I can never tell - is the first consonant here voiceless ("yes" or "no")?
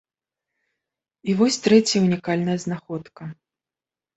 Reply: no